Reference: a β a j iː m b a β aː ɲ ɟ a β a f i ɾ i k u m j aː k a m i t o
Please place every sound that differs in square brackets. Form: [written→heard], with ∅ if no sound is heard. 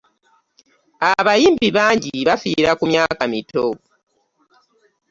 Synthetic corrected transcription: a β a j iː m b [a→i] β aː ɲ ɟ [a→i] β a f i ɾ [i→a] k u m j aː k a m i t o